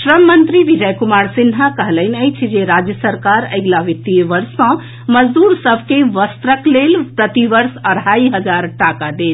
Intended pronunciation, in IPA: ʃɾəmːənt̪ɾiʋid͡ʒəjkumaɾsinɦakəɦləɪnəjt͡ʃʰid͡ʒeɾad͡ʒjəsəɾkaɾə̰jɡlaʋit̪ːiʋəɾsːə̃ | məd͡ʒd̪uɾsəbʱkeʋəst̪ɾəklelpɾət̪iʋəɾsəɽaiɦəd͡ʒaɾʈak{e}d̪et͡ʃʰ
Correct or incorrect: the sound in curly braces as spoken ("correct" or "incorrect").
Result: incorrect